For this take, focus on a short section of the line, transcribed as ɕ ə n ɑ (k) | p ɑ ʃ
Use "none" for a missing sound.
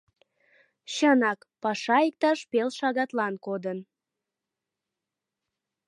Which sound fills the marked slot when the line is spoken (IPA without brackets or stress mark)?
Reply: k